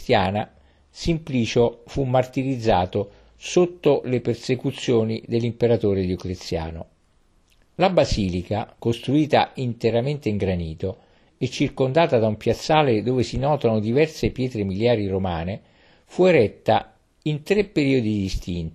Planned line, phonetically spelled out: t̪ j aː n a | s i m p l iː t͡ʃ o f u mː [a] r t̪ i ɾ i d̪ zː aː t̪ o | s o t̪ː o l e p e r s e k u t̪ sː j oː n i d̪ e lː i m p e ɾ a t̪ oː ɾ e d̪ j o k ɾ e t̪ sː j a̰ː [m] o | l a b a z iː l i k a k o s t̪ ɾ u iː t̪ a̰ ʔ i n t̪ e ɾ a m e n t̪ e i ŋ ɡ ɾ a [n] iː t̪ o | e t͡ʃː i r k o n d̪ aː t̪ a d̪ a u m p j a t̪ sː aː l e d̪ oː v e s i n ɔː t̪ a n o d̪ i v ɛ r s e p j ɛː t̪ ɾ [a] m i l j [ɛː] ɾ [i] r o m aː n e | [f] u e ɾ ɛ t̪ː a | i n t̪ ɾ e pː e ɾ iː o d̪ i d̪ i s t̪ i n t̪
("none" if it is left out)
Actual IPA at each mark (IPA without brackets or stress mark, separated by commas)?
a, n, n, e, aː, i, f